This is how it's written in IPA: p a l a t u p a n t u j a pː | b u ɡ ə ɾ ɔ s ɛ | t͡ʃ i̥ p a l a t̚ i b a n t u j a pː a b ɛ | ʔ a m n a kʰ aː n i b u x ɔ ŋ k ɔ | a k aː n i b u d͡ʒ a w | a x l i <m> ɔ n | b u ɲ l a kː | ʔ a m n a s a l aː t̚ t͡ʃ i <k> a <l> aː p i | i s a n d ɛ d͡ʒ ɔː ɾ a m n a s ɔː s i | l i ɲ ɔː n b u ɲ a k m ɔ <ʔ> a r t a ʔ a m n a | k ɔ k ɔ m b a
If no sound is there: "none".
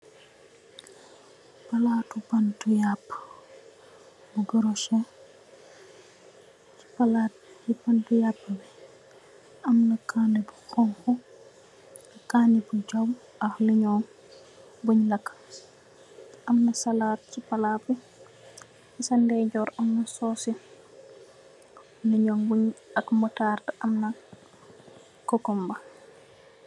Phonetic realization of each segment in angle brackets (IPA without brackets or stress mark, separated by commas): ɲ, p, l, t